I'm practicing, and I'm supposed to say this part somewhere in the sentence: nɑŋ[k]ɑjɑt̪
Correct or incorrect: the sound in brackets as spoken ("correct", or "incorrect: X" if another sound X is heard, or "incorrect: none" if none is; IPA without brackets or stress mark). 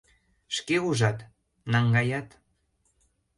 incorrect: ɡ